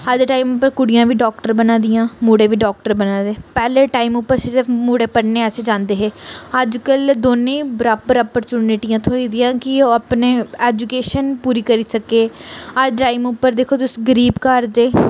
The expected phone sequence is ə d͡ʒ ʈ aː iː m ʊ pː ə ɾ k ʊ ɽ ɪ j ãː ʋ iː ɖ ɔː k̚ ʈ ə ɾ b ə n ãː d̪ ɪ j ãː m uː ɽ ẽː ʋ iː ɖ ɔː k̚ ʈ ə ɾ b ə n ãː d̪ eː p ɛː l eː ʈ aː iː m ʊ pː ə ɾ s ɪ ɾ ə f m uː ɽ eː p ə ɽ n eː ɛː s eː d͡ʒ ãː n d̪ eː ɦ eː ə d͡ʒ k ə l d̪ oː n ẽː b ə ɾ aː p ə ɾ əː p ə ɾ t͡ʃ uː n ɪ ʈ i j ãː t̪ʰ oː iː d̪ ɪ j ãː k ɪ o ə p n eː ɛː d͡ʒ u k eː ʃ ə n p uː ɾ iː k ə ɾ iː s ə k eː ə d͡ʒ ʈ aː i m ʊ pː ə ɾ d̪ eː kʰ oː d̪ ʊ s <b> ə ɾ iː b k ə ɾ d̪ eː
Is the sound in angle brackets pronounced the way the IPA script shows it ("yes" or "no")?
no